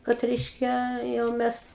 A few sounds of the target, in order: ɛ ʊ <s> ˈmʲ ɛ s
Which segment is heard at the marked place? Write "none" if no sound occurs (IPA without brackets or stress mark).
none